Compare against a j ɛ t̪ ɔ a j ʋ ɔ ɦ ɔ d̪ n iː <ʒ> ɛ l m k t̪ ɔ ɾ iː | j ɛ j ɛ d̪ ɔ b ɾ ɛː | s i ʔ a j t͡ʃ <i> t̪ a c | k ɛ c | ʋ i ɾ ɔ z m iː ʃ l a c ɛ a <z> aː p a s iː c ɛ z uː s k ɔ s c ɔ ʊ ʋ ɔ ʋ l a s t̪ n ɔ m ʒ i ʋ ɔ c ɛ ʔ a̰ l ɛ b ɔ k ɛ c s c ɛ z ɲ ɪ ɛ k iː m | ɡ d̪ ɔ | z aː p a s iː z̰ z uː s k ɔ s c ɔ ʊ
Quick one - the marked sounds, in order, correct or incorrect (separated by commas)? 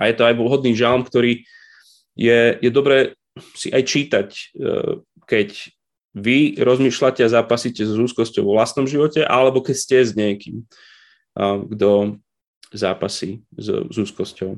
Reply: correct, incorrect, correct